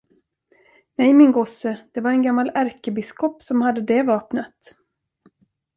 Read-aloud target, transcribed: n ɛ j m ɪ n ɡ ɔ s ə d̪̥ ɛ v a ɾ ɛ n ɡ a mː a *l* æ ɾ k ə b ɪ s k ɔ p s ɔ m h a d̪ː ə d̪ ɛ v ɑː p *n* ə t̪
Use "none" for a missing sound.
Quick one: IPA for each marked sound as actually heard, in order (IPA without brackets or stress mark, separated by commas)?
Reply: l, n